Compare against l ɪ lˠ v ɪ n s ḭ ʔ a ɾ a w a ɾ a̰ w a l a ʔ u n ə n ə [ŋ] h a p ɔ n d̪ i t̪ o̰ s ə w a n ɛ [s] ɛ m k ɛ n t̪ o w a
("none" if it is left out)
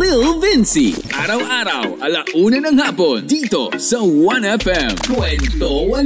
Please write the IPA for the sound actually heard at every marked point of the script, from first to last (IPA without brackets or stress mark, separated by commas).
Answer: ŋ, f